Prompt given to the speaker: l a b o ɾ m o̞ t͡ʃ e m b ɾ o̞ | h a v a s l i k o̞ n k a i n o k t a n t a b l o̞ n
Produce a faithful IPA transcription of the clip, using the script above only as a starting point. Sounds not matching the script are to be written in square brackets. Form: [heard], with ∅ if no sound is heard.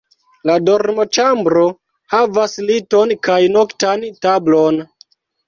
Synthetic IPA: l a [d] o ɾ m o̞ t͡ʃ [a] m b ɾ o̞ | h a v a s l i [t] o̞ n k a [j] n o k t a n t a b l o̞ n